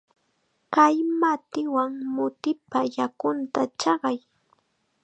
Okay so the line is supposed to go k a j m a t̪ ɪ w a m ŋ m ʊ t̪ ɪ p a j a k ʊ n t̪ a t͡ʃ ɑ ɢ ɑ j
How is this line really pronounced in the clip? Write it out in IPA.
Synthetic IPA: k a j m a t̪ ɪ w a ŋ m ʊ t̪ ɪ p a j a k ʊ n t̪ a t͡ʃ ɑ ɢ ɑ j